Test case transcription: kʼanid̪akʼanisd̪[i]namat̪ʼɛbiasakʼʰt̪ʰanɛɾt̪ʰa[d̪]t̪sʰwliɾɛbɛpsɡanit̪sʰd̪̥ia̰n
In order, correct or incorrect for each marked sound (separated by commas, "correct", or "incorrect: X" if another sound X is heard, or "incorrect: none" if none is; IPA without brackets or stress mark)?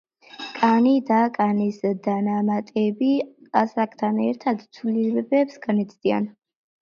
incorrect: a, correct